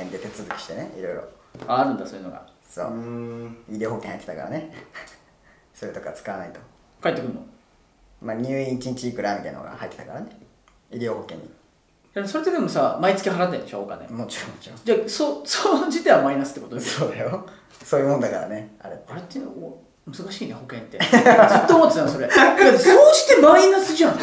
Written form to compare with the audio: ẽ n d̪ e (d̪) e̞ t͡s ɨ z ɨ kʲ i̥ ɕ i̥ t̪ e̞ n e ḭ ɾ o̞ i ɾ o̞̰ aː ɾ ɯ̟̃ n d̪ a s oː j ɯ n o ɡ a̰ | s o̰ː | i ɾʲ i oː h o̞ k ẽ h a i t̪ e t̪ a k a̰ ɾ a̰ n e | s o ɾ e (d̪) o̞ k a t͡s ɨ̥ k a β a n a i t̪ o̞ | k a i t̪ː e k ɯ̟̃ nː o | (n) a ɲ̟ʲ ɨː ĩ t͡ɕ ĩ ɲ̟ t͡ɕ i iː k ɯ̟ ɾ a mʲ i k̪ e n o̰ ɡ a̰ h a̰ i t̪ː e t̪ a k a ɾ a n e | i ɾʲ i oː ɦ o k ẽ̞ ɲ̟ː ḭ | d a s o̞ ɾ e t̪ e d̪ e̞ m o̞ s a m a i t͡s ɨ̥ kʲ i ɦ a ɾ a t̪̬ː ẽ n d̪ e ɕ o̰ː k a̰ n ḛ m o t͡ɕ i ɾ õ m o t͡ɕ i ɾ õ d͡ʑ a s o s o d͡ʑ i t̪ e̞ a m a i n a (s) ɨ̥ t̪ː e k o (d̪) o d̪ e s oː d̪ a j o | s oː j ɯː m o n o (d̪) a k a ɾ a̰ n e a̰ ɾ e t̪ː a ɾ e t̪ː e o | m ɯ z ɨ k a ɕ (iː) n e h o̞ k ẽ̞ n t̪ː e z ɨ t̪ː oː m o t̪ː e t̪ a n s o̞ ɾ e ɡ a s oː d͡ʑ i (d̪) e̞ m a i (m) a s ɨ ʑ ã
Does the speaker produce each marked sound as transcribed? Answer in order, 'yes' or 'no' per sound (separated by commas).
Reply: no, no, no, yes, no, yes, yes, no, no